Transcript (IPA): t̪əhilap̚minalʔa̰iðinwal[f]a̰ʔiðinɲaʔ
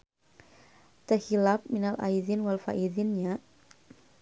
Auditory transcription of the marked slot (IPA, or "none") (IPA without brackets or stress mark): f